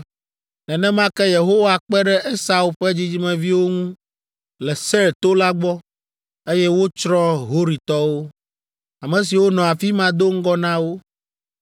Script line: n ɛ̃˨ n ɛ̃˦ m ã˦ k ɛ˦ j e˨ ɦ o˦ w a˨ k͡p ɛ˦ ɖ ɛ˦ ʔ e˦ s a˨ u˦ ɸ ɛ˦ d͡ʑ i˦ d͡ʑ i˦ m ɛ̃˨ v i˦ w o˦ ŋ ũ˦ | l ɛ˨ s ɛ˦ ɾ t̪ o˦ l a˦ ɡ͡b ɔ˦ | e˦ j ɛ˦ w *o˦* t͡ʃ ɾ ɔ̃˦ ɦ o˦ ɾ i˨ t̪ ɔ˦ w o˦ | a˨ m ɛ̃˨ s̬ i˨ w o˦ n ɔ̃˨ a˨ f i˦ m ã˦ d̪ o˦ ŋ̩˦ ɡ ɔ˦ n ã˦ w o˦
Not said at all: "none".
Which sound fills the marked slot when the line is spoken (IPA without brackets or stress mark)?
o˦